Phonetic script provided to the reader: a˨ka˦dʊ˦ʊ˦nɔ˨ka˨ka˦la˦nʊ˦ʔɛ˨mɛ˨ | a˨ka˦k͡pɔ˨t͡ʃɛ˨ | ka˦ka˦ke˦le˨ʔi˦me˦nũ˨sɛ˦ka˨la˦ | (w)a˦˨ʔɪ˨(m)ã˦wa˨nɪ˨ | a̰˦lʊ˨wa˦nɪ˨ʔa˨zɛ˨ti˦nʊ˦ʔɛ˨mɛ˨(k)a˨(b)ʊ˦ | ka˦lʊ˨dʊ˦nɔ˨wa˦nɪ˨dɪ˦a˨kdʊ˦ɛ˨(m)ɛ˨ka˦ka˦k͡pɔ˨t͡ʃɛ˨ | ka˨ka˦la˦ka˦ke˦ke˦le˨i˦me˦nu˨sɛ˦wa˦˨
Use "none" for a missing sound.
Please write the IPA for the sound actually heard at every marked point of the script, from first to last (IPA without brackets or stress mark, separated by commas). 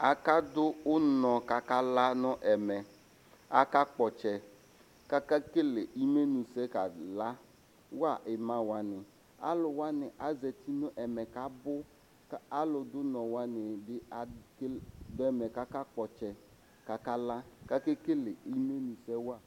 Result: w, m, k, b, m